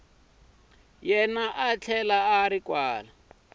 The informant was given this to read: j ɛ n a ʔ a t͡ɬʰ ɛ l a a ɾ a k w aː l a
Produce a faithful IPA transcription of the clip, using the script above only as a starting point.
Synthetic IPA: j ɛ n a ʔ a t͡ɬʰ ɛ l a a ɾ i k w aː l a